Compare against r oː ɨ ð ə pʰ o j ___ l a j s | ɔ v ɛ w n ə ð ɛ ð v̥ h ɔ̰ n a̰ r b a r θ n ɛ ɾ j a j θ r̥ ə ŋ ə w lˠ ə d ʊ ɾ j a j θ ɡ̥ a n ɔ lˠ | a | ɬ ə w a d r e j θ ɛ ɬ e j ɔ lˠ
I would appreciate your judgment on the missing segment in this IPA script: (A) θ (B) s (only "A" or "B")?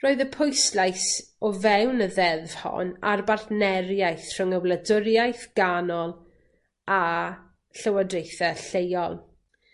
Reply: B